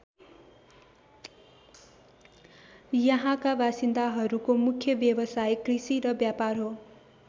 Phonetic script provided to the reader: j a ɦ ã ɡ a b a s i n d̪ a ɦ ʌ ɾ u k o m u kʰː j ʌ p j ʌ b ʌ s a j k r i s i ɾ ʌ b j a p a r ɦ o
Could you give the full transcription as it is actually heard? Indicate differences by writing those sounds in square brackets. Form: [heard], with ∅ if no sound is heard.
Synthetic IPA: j [ʌ] ɦ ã [k] a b a s i n d̪ a ɦ ʌ ɾ u k o m u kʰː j ʌ [b] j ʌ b ʌ s a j k r i s i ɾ ʌ b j a p a r ɦ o